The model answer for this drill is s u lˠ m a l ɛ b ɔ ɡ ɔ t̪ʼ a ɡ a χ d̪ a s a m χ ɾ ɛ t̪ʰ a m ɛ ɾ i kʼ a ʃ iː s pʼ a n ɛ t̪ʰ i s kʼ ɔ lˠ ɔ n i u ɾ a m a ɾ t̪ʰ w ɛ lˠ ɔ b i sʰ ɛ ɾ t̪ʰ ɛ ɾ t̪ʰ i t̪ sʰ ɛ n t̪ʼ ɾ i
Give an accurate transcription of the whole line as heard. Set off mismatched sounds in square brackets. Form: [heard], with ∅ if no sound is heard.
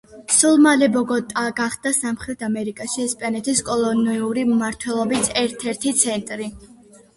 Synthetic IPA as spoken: s u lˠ m a l ɛ b ɔ ɡ ɔ t̪ʼ a ɡ a χ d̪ a s a m χ ɾ ɛ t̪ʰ a m ɛ ɾ i kʼ a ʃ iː s pʼ a n ɛ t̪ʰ i s kʼ ɔ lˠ ɔ n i u ɾ [i] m a ɾ t̪ʰ w ɛ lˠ ɔ b i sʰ ɛ ɾ t̪ʰ ɛ ɾ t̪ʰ i t̪ sʰ ɛ n t̪ʼ ɾ i